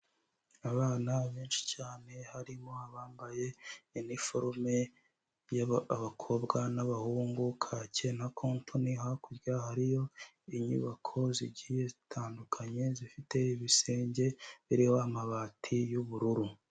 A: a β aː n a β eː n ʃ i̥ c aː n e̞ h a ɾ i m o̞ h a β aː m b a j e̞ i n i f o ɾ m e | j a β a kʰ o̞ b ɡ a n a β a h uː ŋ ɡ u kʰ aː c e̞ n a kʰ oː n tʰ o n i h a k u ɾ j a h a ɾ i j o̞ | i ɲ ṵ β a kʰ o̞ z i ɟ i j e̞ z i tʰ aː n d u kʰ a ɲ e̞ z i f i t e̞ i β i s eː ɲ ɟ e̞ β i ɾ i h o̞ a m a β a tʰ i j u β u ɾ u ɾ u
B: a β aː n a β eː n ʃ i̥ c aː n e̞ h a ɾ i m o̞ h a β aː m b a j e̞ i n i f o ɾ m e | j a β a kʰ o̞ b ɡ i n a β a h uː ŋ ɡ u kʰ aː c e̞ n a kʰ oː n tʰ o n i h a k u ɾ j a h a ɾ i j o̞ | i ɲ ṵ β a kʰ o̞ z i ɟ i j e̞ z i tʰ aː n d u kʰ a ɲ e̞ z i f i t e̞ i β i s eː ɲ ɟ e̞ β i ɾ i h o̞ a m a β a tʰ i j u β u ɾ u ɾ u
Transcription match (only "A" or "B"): A